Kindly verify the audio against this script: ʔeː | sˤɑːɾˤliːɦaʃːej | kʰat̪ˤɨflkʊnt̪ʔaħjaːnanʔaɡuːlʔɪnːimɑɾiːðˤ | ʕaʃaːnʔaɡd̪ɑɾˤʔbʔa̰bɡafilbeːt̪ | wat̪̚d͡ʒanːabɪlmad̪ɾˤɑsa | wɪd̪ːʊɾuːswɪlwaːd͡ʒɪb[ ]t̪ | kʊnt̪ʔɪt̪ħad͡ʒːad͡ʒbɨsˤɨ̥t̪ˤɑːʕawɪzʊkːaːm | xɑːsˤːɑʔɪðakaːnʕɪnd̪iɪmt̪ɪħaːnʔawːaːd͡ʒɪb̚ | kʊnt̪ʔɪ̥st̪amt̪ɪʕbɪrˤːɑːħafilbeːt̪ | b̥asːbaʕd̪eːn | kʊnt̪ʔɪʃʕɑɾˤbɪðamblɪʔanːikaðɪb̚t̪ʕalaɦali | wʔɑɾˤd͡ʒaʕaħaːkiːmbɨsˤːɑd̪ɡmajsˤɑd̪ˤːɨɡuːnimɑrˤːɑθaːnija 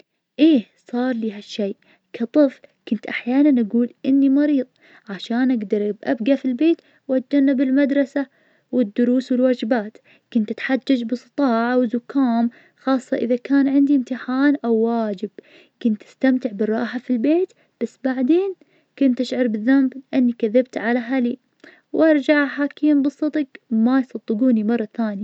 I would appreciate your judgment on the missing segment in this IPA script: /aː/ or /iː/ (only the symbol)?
aː